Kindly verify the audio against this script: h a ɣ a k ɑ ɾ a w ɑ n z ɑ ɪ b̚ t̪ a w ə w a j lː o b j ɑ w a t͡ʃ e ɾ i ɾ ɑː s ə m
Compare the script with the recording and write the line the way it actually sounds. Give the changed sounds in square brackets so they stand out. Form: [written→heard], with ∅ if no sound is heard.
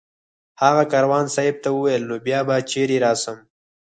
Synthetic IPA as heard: h a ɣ a k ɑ ɾ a w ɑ n [z→s] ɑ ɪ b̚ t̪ a w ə w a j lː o b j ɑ [w→b] a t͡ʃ e ɾ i ɾ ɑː s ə m